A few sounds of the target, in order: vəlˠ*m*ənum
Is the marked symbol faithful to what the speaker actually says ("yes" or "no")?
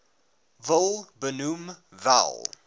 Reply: no